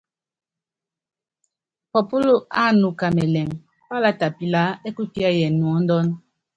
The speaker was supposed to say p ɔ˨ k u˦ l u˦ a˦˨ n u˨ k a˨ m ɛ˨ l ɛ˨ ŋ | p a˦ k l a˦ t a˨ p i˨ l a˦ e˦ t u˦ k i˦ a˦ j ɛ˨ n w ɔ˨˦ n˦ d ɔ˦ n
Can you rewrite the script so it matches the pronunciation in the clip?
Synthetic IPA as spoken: p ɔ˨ p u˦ l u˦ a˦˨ n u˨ k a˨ m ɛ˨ l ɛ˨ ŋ | p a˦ l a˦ t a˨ p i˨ l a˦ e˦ k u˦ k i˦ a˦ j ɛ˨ n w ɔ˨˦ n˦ d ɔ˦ n